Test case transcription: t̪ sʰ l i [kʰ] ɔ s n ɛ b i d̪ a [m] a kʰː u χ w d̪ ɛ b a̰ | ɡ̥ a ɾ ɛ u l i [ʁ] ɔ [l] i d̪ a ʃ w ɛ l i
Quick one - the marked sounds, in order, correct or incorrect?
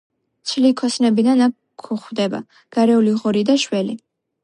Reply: correct, incorrect: n, correct, incorrect: ɾ

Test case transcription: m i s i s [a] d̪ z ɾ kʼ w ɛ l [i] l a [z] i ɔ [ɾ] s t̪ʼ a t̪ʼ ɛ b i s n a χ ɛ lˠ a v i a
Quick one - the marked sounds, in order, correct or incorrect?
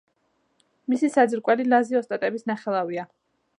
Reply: correct, correct, correct, incorrect: none

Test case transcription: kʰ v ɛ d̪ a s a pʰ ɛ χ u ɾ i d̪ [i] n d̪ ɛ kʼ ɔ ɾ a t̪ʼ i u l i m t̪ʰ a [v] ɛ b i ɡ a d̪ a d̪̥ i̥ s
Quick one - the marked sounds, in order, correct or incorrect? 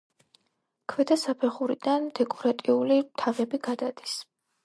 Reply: incorrect: a, correct

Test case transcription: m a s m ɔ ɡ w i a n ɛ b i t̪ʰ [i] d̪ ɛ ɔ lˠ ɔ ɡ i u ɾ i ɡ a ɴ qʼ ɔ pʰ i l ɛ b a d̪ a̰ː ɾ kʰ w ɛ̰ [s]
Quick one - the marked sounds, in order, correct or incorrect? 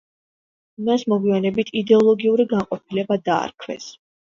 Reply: correct, correct

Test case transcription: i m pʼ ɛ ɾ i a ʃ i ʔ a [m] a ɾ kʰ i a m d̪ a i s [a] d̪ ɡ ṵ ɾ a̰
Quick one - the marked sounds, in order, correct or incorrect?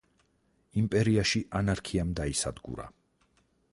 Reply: incorrect: n, correct

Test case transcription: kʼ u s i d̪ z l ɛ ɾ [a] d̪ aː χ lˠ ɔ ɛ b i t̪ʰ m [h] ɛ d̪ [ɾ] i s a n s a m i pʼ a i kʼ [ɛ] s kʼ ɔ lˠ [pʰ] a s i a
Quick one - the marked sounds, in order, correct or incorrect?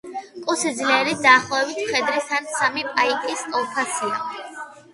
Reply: incorrect: i, incorrect: χ, correct, incorrect: i, correct

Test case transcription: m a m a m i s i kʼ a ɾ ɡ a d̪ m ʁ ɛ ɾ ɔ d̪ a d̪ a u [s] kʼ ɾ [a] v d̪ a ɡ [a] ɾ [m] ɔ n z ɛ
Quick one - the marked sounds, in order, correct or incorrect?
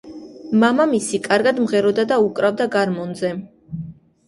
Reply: incorrect: none, correct, correct, correct

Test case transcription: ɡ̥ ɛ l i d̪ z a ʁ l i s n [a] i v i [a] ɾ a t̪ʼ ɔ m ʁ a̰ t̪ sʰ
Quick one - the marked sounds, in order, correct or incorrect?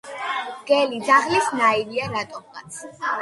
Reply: correct, correct

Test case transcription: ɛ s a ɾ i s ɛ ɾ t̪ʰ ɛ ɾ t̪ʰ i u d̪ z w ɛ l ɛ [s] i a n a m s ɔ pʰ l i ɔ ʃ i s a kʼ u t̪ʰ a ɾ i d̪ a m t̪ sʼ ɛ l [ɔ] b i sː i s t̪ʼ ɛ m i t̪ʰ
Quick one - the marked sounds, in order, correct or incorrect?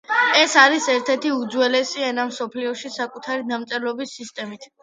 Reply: correct, correct

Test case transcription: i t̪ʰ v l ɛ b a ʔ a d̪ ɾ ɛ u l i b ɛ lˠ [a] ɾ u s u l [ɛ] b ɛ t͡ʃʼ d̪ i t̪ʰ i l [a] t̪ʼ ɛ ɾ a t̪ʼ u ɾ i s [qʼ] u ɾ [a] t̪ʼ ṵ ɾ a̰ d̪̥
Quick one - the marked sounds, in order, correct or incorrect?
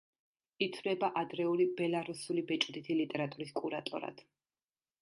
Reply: correct, incorrect: i, incorrect: i, incorrect: kʼ, correct

